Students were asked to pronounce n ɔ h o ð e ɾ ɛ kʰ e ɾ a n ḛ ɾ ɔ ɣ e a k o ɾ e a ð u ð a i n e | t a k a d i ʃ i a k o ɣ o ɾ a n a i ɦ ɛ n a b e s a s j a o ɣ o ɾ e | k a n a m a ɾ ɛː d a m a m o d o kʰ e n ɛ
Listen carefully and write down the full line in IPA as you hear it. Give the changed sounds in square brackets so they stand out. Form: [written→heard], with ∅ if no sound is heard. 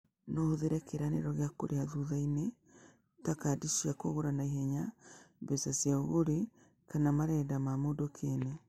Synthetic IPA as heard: n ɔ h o ð e ɾ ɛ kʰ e ɾ a n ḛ ɾ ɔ ɣ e a k o ɾ e a ð u ð a i n e | t a k a d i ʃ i a k o ɣ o ɾ a n a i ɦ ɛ [n→ɲ] a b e s a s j a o ɣ o ɾ e | k a n a m a ɾ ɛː d a m a m o d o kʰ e n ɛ